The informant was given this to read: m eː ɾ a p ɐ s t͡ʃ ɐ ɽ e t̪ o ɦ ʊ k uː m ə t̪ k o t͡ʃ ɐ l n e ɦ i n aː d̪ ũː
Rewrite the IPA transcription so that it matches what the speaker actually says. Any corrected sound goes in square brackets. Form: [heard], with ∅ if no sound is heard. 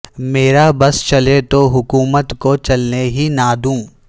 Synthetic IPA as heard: m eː ɾ a [b] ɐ s t͡ʃ ɐ [l] e t̪ o ɦ ʊ k uː m ə t̪ k o t͡ʃ ɐ l n e ɦ i n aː d̪ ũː